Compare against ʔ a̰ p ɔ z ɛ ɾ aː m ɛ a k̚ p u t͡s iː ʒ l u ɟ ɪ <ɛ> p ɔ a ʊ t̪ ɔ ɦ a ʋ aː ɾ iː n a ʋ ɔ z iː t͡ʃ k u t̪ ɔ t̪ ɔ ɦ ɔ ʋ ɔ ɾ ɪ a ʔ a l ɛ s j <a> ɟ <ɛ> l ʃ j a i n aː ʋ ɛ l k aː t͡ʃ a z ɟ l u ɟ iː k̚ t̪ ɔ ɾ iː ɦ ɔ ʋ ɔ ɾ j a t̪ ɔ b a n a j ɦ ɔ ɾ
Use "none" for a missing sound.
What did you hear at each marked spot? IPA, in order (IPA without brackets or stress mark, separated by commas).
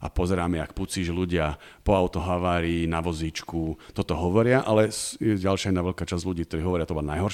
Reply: a, ɛ, a